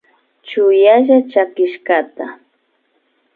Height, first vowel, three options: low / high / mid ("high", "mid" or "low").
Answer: high